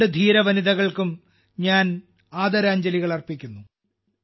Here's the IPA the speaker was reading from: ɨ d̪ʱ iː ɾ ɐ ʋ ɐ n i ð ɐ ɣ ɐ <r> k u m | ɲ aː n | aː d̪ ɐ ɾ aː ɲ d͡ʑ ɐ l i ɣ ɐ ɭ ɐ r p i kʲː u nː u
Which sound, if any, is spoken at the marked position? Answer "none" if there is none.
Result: ɭ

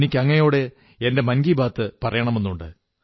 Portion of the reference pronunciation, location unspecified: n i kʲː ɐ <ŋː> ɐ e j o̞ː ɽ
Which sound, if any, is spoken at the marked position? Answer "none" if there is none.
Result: ŋː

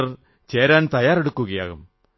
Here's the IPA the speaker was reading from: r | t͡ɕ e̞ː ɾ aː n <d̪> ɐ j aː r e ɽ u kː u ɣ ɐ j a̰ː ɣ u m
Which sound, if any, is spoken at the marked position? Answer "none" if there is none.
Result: t̪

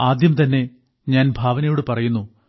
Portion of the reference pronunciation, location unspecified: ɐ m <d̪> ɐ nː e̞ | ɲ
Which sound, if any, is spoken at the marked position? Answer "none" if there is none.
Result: t̪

